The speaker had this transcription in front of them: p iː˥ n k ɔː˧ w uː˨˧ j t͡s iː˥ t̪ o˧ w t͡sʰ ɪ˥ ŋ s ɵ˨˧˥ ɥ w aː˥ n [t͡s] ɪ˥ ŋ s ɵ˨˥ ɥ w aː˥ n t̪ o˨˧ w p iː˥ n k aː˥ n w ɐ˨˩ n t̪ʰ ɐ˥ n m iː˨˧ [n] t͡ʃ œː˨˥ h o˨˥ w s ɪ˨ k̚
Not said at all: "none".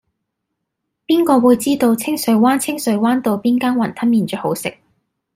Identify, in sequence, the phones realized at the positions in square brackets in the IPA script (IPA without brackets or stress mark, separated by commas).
t͡sʰ, n